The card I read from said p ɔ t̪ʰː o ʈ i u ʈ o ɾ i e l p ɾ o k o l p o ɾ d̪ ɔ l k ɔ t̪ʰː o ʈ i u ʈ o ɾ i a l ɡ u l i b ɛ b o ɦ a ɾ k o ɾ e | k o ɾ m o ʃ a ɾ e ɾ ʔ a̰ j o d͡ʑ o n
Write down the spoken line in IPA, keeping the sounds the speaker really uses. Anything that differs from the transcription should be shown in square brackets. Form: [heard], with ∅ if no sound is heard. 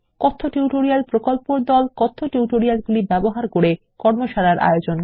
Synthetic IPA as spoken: [k] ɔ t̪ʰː o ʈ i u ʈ o ɾ i [a] l p ɾ o k o l p o ɾ d̪ ɔ l k ɔ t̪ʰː o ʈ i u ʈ o ɾ i a l ɡ u l i b ɛ b o ɦ a ɾ k o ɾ e | k [ɔ] ɾ m o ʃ a ɾ [a] ɾ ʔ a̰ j o d͡ʑ o n